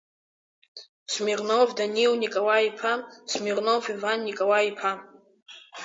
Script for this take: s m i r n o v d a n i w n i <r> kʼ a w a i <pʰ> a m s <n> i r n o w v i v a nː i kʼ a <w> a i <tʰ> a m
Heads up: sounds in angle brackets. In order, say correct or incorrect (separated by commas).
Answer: incorrect, correct, incorrect, correct, incorrect